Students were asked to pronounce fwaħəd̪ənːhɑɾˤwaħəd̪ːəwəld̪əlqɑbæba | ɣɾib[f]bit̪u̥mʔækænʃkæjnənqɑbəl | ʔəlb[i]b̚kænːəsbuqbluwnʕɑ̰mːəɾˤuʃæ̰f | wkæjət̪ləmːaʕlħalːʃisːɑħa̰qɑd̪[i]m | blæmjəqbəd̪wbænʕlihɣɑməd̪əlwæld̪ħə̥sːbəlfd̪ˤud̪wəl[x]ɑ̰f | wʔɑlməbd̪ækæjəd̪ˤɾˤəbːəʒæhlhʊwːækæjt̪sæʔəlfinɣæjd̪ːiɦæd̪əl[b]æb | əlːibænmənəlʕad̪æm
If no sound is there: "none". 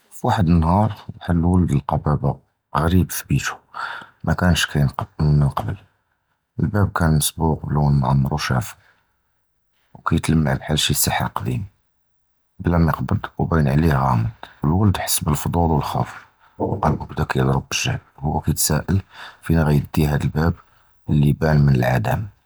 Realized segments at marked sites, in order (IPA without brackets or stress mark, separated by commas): f, æ, i, x, b